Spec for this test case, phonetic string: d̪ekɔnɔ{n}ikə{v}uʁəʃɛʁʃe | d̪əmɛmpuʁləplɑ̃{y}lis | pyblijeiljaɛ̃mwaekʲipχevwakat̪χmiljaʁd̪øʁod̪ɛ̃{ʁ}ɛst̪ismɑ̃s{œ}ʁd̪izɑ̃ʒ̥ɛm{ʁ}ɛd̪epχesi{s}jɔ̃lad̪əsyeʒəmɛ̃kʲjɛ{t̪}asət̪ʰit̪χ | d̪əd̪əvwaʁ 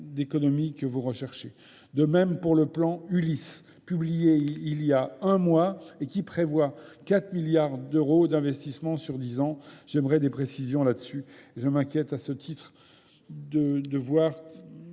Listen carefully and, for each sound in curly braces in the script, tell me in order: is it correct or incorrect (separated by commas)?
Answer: incorrect, correct, correct, incorrect, incorrect, correct, incorrect, correct